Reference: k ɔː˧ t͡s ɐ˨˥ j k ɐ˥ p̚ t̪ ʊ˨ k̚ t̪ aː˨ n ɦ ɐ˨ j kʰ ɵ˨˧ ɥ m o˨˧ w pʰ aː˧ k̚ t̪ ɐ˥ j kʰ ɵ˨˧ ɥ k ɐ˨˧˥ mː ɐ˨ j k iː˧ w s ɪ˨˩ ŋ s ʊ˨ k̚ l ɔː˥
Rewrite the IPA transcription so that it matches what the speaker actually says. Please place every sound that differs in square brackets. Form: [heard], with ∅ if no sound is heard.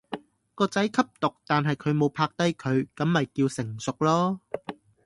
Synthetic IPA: k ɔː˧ t͡s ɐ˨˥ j [kʰ] ɐ˥ p̚ t̪ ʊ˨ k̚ t̪ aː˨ n ɦ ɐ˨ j kʰ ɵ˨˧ ɥ m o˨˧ w pʰ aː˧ k̚ t̪ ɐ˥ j kʰ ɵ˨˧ ɥ k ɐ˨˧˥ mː ɐ˨ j k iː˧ w s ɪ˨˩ ŋ s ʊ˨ k̚ l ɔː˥